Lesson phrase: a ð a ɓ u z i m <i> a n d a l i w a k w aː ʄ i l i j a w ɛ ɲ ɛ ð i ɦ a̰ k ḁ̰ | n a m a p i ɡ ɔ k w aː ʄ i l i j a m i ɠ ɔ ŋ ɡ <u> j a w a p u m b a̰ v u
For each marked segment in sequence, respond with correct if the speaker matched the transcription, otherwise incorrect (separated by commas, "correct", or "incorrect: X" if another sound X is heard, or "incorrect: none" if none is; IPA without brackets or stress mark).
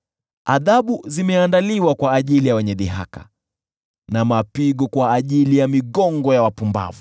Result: incorrect: ɛ, incorrect: ɔ